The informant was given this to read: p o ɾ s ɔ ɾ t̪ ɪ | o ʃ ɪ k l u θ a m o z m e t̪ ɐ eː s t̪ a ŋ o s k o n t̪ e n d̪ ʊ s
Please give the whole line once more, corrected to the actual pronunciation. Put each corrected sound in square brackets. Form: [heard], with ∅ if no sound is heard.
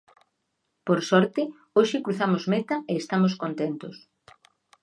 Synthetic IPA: p o ɾ s ɔ ɾ t̪ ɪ | o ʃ ɪ k [ɾ] u θ a m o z m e t̪ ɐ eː s t̪ a [m] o s k o n t̪ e n [t̪] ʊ s